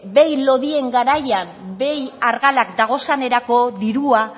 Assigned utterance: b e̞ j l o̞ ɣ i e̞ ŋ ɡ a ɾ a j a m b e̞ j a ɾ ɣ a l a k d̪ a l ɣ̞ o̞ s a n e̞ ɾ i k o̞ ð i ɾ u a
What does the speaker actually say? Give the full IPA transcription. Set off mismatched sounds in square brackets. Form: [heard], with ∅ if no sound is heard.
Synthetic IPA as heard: b e̞ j l o̞ [ð] i e̞ ŋ ɡ a ɾ a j a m b e̞ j a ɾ ɣ a l a k d̪ a [∅] ɣ̞ o̞ s a n e̞ ɾ [a] k o̞ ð i ɾ u a